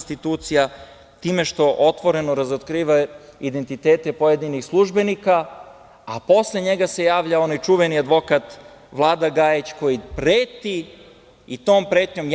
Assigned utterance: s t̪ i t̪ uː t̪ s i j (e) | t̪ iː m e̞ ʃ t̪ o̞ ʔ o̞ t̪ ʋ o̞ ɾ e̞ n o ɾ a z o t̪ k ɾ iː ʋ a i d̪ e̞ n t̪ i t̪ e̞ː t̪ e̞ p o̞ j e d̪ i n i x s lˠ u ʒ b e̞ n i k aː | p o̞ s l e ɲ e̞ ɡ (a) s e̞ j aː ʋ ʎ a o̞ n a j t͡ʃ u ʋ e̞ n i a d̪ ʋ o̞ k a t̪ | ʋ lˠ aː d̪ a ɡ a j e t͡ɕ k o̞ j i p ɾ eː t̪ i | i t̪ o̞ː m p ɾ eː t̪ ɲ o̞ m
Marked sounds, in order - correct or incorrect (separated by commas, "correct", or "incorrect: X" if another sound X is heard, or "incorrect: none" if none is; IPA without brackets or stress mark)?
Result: incorrect: a, correct